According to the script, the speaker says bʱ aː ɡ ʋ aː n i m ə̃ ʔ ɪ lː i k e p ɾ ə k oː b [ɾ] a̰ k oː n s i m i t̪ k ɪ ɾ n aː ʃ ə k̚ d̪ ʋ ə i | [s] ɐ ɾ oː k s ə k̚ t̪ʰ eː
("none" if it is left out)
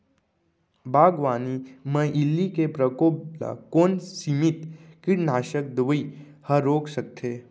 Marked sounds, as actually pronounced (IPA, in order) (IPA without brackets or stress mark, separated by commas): l, h